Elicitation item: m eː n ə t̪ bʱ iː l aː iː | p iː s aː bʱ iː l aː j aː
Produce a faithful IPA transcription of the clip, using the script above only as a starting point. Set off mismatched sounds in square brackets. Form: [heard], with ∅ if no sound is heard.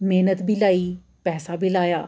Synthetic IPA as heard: m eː n ə t̪ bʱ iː l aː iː | p [ɛː] s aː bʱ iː l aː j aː